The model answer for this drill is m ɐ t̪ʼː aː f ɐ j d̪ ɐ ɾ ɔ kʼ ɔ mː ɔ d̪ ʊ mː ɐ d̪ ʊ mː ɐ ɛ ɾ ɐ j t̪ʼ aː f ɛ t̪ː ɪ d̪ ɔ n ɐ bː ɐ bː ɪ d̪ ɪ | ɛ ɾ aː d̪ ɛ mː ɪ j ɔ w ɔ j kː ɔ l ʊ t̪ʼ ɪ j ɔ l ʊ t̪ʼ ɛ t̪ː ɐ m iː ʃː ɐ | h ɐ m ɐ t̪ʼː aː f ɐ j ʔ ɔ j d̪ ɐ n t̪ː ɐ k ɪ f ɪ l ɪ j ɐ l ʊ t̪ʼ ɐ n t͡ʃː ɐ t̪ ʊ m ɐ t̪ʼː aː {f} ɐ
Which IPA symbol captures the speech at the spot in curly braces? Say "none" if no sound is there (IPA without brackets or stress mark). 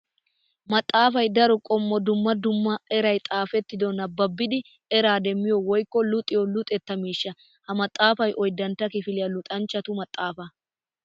f